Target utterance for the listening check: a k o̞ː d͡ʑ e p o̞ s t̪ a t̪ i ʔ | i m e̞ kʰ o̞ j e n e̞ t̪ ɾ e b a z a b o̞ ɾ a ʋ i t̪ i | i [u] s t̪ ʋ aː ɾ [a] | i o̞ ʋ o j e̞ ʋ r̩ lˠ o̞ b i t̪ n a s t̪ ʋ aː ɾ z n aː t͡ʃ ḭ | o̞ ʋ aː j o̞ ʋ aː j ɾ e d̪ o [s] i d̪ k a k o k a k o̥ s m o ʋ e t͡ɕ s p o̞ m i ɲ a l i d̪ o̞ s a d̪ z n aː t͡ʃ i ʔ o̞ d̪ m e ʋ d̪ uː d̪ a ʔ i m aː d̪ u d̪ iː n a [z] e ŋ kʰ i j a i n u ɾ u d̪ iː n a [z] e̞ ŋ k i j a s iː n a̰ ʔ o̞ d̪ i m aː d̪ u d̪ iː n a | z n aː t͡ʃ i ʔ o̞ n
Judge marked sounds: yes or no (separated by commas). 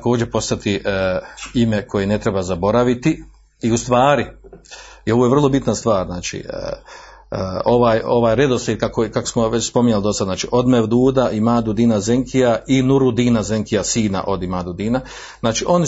yes, no, yes, yes, yes